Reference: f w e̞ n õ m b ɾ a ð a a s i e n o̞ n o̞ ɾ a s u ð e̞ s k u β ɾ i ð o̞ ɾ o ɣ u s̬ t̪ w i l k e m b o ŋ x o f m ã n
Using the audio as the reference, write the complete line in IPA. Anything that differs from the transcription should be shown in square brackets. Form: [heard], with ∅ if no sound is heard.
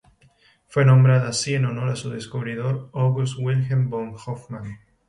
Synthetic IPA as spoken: f w e̞ n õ m b ɾ a ð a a s i e n o̞ n o̞ ɾ a s u ð e̞ s k u β ɾ i ð o̞ ɾ o ɣ u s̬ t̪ w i l [x] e m b o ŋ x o f m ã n